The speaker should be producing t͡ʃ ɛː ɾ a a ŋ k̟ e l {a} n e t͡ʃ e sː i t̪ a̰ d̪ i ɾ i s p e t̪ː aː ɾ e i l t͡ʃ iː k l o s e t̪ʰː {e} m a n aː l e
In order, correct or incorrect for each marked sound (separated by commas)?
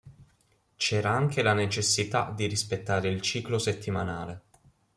correct, incorrect